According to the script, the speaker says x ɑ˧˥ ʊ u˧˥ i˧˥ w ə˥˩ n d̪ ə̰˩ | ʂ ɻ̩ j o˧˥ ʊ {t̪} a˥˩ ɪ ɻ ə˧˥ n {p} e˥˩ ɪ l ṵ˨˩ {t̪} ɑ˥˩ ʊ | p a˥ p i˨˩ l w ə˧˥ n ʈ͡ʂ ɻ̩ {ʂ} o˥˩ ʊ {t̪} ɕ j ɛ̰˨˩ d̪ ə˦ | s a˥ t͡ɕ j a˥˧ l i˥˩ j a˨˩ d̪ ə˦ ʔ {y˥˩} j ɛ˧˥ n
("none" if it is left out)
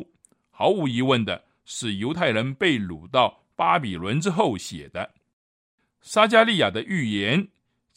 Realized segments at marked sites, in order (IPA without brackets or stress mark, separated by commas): t̪ʰ, p, t̪, x, none, y˥˩